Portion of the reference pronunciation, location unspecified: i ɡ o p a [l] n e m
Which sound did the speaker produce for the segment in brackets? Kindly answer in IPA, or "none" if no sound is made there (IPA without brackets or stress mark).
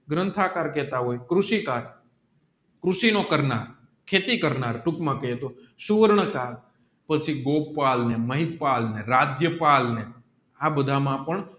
l